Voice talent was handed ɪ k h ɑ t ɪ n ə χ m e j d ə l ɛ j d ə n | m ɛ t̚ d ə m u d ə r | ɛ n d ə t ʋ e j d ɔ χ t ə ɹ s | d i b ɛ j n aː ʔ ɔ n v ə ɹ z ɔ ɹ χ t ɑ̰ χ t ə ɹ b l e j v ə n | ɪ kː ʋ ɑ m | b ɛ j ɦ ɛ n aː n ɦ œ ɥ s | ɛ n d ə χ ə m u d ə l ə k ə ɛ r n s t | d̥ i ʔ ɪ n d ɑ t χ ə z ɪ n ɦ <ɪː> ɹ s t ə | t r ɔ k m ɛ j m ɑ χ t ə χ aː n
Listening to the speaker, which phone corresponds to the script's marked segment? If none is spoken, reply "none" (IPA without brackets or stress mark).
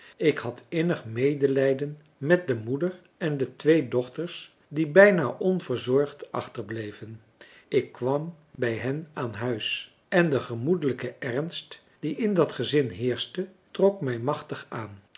ɪː